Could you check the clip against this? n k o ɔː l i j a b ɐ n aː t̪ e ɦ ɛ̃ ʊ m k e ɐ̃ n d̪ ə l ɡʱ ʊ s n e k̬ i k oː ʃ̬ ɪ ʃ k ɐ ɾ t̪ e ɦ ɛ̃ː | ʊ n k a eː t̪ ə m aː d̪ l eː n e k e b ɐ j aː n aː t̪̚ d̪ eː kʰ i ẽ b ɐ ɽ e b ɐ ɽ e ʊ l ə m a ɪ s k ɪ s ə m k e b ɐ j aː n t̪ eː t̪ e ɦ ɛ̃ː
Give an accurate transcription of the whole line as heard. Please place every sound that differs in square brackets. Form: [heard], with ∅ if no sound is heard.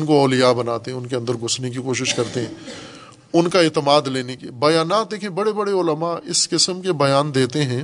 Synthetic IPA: n k o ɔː l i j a b ɐ n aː t̪ e ɦ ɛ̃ ʊ [n] k e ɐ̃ n d̪ ə [ɾ] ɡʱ ʊ s n e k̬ i k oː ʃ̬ ɪ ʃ k ɐ ɾ t̪ e ɦ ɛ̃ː | ʊ n k a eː t̪ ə m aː d̪ l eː n e k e b ɐ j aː n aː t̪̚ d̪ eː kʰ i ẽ b ɐ ɽ e b ɐ ɽ e ʊ l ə m a ɪ s k ɪ s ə m k e b ɐ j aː n [d̪] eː t̪ e ɦ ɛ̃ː